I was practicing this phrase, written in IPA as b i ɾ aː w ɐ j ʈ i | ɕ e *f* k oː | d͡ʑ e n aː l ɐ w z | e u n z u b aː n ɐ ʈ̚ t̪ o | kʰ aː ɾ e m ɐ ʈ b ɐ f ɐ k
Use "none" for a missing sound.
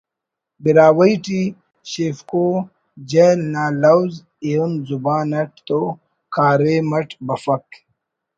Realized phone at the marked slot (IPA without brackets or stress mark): f